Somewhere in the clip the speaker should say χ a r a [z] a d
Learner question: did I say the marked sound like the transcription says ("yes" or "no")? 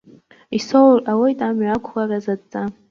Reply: yes